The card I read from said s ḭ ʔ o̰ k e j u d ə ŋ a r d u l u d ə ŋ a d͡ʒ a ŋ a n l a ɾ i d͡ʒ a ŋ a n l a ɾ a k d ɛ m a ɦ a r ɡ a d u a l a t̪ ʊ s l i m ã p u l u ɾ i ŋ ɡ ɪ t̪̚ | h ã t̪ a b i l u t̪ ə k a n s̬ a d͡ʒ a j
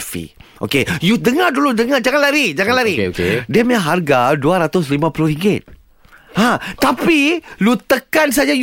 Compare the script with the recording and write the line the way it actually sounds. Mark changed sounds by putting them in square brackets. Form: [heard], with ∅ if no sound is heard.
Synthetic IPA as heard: [f] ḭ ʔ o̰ k e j u d ə ŋ a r d u l u d ə ŋ a d͡ʒ a ŋ a n l a ɾ i d͡ʒ a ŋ a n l a ɾ [i] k d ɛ m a ɦ a r ɡ a d u a [ɾ] a t̪ ʊ s l i m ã p u l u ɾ i ŋ ɡ ɪ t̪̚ | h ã t̪ a [p] i l u t̪ ə k a n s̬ a d͡ʒ a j